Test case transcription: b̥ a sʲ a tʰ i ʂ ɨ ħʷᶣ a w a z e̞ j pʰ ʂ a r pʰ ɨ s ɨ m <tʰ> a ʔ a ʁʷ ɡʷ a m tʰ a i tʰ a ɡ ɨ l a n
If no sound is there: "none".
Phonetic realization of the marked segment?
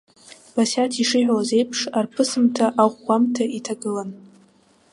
tʰ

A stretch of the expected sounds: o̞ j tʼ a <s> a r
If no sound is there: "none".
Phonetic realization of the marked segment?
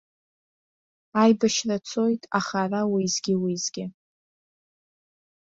χ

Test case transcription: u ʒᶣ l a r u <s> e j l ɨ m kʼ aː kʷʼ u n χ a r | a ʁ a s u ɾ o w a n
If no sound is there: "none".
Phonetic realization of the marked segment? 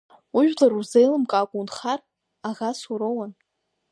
z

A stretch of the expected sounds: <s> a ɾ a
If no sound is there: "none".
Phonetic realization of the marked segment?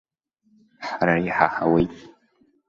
ħ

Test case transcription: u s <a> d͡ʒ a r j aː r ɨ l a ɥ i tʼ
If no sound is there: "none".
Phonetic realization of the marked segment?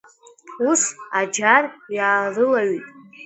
a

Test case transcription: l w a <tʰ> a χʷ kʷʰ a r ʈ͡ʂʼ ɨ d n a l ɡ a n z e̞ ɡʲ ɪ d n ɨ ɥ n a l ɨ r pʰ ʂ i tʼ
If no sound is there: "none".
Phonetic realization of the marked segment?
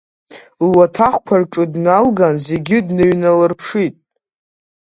tʰ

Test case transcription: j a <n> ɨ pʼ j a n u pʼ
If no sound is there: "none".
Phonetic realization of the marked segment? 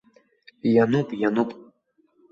n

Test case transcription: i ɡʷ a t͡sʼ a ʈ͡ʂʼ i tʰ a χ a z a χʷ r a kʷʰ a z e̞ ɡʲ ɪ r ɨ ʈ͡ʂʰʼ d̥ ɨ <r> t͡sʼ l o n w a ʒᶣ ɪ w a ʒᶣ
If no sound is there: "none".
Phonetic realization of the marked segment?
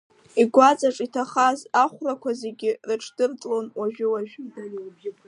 r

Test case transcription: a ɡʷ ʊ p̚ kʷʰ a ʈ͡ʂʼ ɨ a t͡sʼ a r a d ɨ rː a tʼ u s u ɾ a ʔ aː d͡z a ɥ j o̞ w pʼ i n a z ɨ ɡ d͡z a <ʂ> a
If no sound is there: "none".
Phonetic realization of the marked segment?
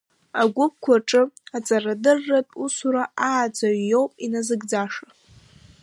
ʂ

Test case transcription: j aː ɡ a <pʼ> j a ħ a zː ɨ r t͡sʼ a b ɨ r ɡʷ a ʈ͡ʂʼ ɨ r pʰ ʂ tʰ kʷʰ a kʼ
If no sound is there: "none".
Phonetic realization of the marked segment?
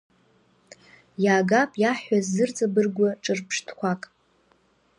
pʼ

